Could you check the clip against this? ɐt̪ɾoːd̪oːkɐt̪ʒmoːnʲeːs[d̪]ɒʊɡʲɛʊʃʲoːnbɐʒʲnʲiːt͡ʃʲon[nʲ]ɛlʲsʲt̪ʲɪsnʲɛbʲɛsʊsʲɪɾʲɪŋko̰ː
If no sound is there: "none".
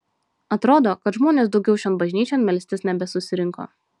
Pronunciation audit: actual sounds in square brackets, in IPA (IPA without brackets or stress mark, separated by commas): d̪, mʲ